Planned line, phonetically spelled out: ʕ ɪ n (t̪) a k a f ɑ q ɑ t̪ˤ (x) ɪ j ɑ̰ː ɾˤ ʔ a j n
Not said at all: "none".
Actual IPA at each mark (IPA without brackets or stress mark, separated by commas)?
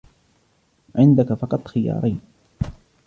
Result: d̪, x